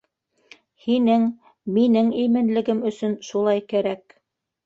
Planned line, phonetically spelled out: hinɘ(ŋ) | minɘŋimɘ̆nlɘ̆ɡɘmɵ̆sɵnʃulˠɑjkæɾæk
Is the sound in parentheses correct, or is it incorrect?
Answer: correct